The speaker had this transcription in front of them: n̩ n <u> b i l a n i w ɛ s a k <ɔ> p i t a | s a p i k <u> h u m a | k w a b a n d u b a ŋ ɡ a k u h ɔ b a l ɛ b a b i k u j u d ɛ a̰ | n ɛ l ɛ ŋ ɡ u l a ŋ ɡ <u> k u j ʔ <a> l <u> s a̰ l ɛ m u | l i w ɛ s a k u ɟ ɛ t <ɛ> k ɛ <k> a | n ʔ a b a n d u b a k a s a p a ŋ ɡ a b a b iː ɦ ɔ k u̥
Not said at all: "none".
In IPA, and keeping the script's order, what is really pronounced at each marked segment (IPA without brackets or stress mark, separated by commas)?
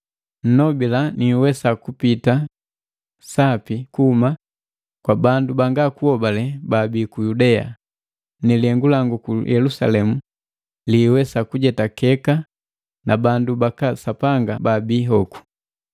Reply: ɔ, u, u, u, ɛ, u, a, k